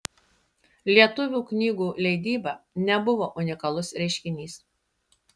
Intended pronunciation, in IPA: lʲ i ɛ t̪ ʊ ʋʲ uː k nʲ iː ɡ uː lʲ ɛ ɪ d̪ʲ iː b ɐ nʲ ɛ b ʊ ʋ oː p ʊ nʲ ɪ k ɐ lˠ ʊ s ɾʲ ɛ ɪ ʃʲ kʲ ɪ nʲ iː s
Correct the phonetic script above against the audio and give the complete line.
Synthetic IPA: lʲ i ɛ t̪ ʊ ʋʲ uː k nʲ iː ɡ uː lʲ ɛ ɪ d̪ʲ iː b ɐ nʲ ɛ b ʊ ʋ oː ʔ ʊ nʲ ɪ k ɐ lˠ ʊ s ɾʲ ɛ ɪ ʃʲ kʲ ɪ nʲ iː s